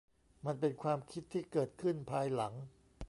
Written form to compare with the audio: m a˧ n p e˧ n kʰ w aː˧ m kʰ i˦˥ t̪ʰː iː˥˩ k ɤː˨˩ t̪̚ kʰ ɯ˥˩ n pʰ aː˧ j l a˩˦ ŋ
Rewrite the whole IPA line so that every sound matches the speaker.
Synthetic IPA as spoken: m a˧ n p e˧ n kʰ w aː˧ m kʰ i˦˥ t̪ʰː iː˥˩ k ɤː˨˩ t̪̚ kʰ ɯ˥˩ n pʰ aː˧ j l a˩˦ ŋ

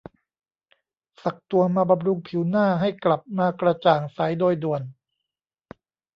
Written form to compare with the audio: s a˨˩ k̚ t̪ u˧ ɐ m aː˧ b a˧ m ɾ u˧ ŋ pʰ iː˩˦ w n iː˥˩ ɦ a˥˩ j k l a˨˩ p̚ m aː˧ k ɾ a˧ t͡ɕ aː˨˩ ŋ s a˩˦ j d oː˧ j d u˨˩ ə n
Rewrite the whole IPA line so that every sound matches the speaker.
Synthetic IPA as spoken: s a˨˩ k̚ t̪ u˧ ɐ m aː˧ b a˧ m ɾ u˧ ŋ pʰ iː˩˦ w n aː˥˩ ɦ a˥˩ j k l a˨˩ p̚ m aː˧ k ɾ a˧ t͡ɕ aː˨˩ ŋ s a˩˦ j d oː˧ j d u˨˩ ə n

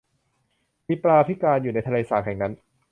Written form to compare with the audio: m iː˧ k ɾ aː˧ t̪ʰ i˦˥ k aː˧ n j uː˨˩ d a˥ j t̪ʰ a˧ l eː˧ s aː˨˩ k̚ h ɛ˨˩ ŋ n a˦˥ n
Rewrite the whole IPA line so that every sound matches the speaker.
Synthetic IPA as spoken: m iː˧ p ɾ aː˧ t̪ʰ i˦˥ k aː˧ n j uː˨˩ n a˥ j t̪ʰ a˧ l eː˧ s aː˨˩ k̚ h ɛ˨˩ ŋ n a˦˥ n

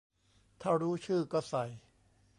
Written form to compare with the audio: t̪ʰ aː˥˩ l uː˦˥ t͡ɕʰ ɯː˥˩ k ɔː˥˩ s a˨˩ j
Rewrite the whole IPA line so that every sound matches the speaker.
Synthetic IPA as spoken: t̪ʰ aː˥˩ ɾ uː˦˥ t͡ɕʰ ɯː˥˩ k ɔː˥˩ s a˨˩ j

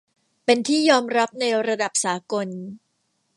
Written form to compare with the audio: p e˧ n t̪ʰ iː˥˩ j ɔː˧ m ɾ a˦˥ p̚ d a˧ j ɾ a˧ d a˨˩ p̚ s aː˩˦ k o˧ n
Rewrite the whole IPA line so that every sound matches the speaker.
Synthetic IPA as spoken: p e˧ n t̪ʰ iː˥˩ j ɔː˧ m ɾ a˦˥ p̚ n a˧ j ɾ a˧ d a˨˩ p̚ s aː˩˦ k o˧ n

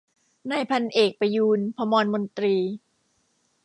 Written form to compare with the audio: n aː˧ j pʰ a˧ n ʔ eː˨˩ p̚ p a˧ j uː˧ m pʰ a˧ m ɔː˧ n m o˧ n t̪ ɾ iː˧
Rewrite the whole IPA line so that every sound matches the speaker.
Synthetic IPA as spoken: n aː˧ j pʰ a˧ n ʔ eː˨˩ k̚ p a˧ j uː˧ n pʰ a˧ m ɔː˧ n m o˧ n t̪ ɾ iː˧

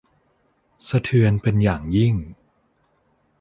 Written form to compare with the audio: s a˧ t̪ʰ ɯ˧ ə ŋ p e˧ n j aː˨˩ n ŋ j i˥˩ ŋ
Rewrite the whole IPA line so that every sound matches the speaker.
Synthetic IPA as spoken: s a˧ t̪ʰ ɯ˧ ə n p e˧ n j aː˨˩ ŋ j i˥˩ ŋ

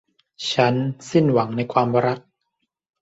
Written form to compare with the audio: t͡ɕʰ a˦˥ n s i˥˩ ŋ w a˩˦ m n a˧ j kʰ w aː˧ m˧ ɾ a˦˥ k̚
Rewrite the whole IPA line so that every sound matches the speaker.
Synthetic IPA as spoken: t͡ɕʰ a˦˥ n s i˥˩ n w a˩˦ ŋ n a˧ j kʰ w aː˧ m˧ ɾ a˦˥ k̚

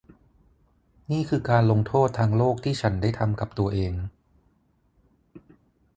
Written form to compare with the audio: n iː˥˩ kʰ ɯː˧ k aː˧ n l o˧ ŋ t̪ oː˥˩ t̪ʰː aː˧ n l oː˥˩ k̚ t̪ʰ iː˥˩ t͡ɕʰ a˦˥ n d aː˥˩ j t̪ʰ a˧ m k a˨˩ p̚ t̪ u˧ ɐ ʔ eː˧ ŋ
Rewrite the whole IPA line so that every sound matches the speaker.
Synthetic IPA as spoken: n iː˥˩ kʰ ɯː˧ k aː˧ n l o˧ ŋ t̪ʰ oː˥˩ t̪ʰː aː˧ ŋ l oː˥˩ k̚ t̪ʰ iː˥˩ t͡ɕʰ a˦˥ n d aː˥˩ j t̪ʰ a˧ m k a˨˩ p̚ t̪ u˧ ɐ ʔ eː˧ ŋ

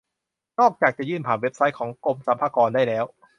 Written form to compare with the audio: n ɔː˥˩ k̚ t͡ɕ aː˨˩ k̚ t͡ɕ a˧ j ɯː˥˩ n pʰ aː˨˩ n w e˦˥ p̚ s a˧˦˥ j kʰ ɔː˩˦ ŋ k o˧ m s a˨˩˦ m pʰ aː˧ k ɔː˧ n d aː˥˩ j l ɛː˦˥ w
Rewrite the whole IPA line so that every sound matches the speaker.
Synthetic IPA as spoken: n ɔː˥˩ k̚ t͡ɕ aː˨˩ k̚ t͡ɕ a˨˩ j ɯː˥˩ n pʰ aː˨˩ n w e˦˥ p̚ s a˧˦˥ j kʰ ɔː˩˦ ŋ k o˧ m s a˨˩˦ m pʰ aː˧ k ɔː˧ n d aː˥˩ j l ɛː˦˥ w

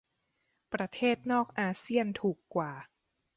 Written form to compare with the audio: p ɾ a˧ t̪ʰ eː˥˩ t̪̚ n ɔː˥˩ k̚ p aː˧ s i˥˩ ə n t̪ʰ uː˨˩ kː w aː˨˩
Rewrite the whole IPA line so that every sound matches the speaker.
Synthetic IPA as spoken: p ɾ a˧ t̪ʰ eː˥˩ t̪̚ n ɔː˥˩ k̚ ʔ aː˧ s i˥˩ ə n t̪ʰ uː˨˩ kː w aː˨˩

